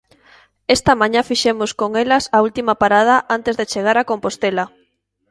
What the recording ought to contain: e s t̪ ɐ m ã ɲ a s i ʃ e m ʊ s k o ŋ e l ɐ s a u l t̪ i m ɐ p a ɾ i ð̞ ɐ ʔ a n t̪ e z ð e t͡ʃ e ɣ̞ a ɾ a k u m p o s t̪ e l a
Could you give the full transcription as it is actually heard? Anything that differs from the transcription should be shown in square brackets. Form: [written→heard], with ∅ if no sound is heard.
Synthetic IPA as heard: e s t̪ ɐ m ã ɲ a [s→f] i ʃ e m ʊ s k o ŋ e l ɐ s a u l t̪ i m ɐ p a ɾ [i→a] ð̞ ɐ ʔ a n t̪ e z ð e t͡ʃ e ɣ̞ a ɾ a k [u→o] m p o s t̪ e l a